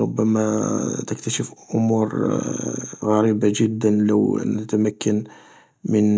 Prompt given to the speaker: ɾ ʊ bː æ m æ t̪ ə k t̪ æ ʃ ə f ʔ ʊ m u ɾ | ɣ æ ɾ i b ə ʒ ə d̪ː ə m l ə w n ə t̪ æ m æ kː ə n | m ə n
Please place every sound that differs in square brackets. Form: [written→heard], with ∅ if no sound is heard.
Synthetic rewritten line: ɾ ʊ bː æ m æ t̪ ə k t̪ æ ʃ ə f ʔ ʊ m u ɾ | ɣ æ ɾ i b [ə→a] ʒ ə d̪ː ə [m→n] l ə w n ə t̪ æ m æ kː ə n | m ə n

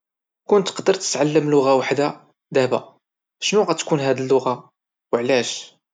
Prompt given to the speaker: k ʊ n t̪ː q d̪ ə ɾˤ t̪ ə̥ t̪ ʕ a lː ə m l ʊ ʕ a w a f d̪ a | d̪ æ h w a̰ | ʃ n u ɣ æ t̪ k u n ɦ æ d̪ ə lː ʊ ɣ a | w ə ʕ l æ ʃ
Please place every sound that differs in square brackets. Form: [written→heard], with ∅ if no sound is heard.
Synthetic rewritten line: k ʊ n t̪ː q d̪ ə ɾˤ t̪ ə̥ t̪ ʕ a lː ə m l ʊ [ʕ→ɣ] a w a [f→ħ] d̪ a | d̪ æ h [w→b] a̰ | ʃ n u ɣ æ t̪ k u n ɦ æ d̪ ə lː ʊ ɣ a | w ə ʕ l æ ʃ

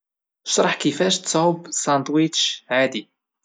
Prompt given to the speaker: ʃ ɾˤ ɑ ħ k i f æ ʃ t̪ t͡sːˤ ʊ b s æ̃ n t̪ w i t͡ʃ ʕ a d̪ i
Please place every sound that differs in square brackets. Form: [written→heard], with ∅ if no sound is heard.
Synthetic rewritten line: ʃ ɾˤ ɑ ħ k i f æ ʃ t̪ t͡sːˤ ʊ b s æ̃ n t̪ w i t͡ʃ ʕ a d̪ i

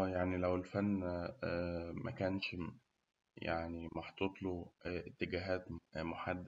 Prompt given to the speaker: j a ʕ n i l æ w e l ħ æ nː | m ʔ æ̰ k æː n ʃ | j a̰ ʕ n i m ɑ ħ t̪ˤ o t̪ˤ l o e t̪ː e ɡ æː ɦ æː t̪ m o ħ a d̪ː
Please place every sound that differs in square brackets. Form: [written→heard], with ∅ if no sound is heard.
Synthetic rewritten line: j a ʕ n i l æ w e l [ħ→f] æ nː | m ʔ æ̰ k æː n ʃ | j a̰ ʕ n i m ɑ ħ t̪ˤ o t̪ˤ l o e t̪ː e ɡ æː ɦ æː t̪ m o ħ a d̪ː

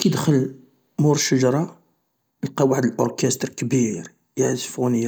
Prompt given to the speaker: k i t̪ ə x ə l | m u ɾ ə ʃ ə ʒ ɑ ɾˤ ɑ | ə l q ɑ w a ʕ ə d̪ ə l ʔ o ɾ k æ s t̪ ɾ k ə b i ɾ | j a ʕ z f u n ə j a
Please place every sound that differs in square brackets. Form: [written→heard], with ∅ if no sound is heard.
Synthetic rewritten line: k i [t̪→d̪] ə x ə l | m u ɾ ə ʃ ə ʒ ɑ ɾˤ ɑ | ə l q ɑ w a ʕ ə d̪ ə l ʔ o ɾ k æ s t̪ ɾ k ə b i ɾ | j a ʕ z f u n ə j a

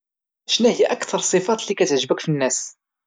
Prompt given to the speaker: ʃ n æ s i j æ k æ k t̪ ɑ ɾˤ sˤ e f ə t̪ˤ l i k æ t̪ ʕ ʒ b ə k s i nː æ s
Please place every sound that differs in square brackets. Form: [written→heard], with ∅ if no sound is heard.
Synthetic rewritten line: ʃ n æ [s→h] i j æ [k→ʔ] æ k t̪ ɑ ɾˤ sˤ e f [ə→ɑ] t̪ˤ l i k æ t̪ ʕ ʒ b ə k [s→f] i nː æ s

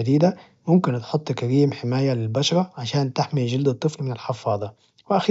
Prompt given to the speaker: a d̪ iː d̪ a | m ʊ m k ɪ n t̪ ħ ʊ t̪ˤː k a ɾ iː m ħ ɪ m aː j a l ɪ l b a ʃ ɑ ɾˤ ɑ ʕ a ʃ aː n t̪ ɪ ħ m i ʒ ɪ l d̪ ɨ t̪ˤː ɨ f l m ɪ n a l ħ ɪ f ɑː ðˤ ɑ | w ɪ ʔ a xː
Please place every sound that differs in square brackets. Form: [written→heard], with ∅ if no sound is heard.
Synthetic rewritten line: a d̪ iː d̪ a | m ʊ m k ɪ n t̪ ħ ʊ t̪ˤː k a ɾ iː m ħ ɪ m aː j a l ɪ l b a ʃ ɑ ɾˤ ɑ ʕ a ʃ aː n t̪ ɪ ħ m i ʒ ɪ l d̪ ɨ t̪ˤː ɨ f l m ɪ n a l ħ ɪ f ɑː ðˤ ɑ | w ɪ ʔ a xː

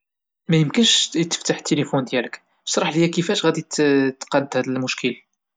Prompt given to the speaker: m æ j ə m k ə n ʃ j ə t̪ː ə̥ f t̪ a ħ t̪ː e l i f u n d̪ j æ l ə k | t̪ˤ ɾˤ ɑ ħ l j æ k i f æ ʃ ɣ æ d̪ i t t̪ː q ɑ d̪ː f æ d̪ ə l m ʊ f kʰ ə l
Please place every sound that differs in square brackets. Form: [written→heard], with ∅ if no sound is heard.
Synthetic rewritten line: m æ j ə m k ə n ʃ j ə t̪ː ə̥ f t̪ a ħ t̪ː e l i f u n d̪ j æ l ə k | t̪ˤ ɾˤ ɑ ħ l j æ k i f æ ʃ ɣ æ d̪ i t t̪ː q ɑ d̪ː [f→h] æ d̪ ə l m ʊ [f→ʃ] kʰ ə l

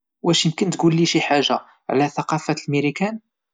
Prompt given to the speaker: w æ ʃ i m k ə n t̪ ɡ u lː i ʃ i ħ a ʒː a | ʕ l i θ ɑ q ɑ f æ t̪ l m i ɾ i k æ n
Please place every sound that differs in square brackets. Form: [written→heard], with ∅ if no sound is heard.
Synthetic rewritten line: w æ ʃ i m k ə n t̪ ɡ u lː i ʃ i ħ a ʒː a | ʕ l [i→æ] θ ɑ q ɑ f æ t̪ l m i ɾ i k æ n

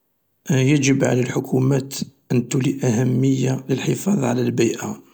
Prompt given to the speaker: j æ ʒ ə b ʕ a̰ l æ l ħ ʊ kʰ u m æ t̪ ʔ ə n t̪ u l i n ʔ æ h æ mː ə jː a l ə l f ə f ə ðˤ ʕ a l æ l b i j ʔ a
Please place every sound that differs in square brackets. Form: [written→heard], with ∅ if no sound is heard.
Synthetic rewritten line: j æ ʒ ə b ʕ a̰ l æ l ħ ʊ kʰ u m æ t̪ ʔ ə n t̪ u l i [n→∅] ʔ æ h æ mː ə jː a l ə l [f→ħ] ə f [ə→ɑ] ðˤ ʕ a l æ l b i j ʔ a

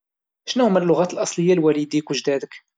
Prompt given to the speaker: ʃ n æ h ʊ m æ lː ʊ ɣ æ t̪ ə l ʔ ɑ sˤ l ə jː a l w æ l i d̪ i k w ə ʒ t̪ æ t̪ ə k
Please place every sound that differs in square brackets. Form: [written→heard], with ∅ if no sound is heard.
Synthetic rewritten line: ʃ n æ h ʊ m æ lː ʊ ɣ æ t̪ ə l ʔ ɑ sˤ l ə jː a l w æ l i d̪ i k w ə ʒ [t̪→d̪] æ [t̪→d̪] ə k

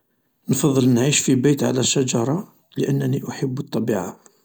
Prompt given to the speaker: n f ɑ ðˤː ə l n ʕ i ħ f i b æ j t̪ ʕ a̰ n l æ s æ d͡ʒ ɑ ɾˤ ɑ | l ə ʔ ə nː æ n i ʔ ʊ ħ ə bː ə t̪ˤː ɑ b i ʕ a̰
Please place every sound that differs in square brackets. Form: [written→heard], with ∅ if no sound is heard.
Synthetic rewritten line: n f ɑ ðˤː ə l n ʕ i [ħ→ʃ] f i b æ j t̪ ʕ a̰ [n→∅] l æ [s→ʃ] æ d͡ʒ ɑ ɾˤ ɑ | l ə ʔ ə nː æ n i ʔ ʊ ħ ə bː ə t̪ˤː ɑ b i ʕ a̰

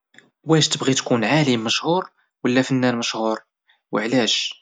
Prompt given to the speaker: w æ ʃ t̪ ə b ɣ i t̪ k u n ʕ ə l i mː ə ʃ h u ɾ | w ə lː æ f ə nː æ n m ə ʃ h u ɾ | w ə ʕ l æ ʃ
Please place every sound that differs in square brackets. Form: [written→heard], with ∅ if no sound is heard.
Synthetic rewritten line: w æ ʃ t̪ ə b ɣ i t̪ k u n ʕ [ə→a] l i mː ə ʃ h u ɾ | w ə lː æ f ə nː æ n m ə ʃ h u ɾ | w ə ʕ l æ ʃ

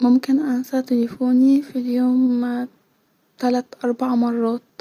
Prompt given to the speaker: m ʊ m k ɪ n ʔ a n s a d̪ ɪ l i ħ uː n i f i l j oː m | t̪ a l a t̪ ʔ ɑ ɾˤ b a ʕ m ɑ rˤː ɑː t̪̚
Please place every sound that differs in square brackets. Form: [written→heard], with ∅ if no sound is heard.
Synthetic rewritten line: m ʊ m k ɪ n ʔ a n s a [d̪→t̪] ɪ l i [ħ→f] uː n i f i l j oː m | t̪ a l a t̪ ʔ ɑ ɾˤ b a ʕ m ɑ rˤː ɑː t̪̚

